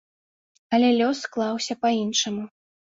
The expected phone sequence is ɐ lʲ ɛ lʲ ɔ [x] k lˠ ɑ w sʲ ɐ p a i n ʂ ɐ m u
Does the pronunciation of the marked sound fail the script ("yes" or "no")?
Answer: yes